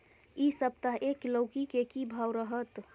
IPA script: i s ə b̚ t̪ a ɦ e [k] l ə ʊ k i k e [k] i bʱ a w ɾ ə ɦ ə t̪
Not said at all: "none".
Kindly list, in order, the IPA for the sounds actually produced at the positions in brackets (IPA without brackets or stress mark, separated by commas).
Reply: k, k